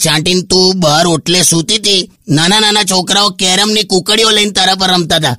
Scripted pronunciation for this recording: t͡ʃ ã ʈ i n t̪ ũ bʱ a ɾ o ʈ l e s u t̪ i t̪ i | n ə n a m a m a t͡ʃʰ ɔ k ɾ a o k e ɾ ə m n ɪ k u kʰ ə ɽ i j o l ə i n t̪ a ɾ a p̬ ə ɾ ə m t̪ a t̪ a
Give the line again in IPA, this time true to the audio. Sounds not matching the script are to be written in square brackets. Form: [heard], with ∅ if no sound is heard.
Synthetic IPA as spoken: t͡ʃ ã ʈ i n t̪ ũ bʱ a ɾ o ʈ l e s u t̪ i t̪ i | n [a] n a [n] a [n] a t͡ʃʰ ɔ k ɾ a o k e ɾ ə m n [i] k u [k] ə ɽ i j o l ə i n t̪ a ɾ a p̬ ə ɾ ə m t̪ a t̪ a